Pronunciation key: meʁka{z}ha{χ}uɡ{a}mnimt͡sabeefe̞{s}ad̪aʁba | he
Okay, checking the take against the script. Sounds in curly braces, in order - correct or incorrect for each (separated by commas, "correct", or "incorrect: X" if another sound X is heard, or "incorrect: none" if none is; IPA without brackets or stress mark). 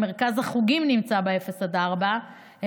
correct, correct, incorrect: i, correct